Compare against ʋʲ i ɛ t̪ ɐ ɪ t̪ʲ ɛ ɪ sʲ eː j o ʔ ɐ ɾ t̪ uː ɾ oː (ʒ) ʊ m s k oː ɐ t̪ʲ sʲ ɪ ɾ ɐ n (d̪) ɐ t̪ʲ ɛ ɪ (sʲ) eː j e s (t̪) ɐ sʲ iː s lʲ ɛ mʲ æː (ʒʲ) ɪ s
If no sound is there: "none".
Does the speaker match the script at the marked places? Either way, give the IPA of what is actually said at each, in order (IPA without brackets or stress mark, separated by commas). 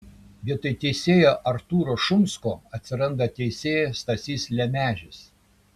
ʃ, d̪, sʲ, t̪, ʒʲ